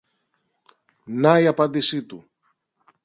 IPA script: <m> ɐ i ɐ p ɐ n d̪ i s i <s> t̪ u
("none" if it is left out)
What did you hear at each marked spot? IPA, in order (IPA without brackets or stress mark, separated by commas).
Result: n, none